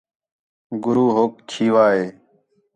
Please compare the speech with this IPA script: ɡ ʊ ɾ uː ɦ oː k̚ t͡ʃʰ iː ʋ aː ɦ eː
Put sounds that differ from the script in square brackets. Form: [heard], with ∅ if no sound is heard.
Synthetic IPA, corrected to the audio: ɡ ʊ ɾ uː ɦ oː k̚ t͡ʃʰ iː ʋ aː ɦ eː